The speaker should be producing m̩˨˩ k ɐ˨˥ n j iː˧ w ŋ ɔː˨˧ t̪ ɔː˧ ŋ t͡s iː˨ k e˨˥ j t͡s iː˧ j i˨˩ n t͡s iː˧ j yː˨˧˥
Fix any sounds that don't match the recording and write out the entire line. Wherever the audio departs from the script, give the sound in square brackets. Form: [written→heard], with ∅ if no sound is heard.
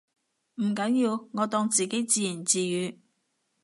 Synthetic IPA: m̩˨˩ k ɐ˨˥ n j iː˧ w ŋ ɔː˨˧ t̪ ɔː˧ ŋ t͡s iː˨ k e˨˥ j t͡s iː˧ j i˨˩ n t͡s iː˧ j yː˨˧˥